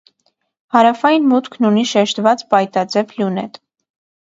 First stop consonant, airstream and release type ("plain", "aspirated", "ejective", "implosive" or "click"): plain